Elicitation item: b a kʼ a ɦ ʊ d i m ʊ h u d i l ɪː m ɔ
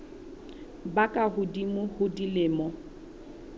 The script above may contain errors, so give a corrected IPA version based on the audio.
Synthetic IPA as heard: b a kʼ a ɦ ʊ d i m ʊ h ʊ d i l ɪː m ɔ